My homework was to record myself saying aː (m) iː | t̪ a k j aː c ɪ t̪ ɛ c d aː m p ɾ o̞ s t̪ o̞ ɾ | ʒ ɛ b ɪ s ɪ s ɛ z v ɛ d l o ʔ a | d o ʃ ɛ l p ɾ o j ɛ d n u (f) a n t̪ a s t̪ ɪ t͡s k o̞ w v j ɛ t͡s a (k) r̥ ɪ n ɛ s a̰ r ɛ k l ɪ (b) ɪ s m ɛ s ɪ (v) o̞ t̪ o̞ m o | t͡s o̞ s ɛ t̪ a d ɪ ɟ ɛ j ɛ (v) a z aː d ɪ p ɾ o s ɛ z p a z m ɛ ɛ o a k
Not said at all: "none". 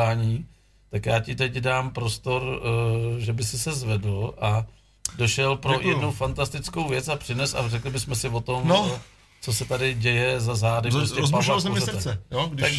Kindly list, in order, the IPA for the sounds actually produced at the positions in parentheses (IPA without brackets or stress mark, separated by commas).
ɲ, f, p, b, v, z